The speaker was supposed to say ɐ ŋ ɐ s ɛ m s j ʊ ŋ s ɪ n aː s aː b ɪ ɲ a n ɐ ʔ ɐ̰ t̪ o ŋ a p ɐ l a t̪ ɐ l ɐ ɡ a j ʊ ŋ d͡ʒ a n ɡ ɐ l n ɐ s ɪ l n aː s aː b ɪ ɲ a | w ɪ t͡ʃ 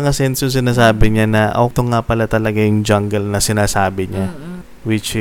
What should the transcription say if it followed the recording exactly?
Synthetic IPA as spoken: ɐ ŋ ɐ s ɛ n s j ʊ ŋ s ɪ n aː s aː b ɪ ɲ a n ɐ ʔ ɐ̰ t̪ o ŋ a p ɐ l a t̪ ɐ l ɐ ɡ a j ʊ ŋ d͡ʒ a ŋ ɡ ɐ l n ɐ s ɪ n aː s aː b ɪ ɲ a | w ɪ t͡ʃ